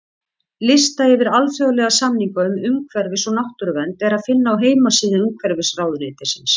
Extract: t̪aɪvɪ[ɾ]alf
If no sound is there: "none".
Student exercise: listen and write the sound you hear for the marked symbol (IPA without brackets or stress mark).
ɾ